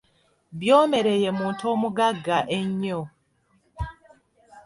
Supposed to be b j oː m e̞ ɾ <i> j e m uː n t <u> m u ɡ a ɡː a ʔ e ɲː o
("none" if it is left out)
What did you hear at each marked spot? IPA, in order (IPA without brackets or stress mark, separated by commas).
e, o